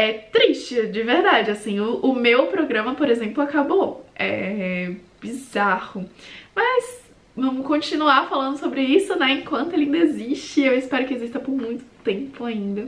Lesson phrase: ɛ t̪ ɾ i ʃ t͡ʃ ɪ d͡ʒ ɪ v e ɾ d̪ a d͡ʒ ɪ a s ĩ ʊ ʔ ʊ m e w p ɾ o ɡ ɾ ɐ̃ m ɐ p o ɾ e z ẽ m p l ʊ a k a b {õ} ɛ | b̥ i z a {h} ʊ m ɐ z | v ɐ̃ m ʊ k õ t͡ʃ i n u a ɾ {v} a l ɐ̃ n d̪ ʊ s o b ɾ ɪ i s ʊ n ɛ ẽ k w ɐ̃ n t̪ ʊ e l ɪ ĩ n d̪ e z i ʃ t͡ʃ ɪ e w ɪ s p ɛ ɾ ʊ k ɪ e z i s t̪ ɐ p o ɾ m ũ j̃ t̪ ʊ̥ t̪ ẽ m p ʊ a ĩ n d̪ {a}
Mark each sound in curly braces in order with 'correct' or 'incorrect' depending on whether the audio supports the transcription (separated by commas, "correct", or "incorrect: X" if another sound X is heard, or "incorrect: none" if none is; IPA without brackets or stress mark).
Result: incorrect: o, correct, incorrect: f, incorrect: ɐ